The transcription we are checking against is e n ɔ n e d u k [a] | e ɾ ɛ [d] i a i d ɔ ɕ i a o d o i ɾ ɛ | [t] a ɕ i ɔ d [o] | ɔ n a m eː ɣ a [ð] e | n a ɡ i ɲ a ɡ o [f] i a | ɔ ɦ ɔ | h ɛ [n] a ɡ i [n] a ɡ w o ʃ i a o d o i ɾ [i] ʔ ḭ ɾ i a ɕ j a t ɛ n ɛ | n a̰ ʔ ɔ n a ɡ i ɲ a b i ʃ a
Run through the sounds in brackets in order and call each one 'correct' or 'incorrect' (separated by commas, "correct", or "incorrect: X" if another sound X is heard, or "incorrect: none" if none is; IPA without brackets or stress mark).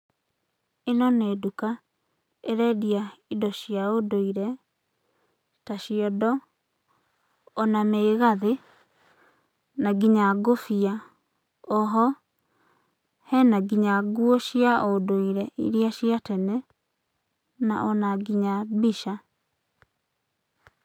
correct, correct, correct, incorrect: ɔ, correct, correct, correct, incorrect: ɲ, incorrect: ɛ